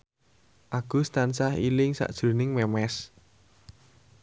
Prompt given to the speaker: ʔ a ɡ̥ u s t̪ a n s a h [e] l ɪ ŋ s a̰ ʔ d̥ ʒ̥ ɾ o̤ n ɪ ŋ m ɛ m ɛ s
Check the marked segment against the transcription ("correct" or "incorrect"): incorrect